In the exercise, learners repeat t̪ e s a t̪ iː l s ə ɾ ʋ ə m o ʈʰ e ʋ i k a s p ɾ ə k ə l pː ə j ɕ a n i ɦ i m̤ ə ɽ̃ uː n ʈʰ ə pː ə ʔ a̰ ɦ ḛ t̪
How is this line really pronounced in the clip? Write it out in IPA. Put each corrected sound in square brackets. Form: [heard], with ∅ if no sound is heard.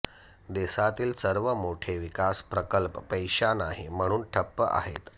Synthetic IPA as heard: [d̪] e s a t̪ iː l s ə ɾ ʋ ə m o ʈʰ e ʋ i k a s p ɾ ə k ə l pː ə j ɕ a n [a] ɦ i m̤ ə ɽ̃ uː n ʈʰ ə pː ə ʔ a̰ ɦ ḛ t̪